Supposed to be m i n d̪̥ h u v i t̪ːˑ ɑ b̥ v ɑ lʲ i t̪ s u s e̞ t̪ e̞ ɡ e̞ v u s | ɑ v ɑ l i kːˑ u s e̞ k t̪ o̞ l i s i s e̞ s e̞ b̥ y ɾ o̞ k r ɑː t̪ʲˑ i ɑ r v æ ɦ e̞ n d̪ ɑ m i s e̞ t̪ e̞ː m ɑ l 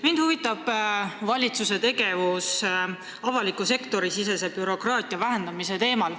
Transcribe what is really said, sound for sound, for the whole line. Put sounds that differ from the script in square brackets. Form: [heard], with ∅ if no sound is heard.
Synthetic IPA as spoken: m i n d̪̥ h u v i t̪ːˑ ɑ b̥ v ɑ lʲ i t̪ s u s e̞ t̪ e̞ ɡ e̞ v u s | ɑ v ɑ l i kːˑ u s e̞ k t̪ o̞ [ɾ] i s i s e̞ s e̞ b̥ y ɾ o̞ k r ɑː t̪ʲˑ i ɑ [∅] v æ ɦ e̞ n d̪ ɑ m i s e̞ t̪ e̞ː m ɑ l